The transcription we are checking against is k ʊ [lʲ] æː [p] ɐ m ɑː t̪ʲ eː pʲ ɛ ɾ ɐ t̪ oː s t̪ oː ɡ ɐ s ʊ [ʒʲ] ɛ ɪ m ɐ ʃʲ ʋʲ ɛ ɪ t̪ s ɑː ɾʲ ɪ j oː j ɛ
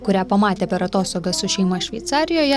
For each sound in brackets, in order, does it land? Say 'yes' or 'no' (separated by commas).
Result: no, yes, no